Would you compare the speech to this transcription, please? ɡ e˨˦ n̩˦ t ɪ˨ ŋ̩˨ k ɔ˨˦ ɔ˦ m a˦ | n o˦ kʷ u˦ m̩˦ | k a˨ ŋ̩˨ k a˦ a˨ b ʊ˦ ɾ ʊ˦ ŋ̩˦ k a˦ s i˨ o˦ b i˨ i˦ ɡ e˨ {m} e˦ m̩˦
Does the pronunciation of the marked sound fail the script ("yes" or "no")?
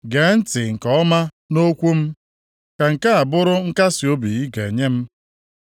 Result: yes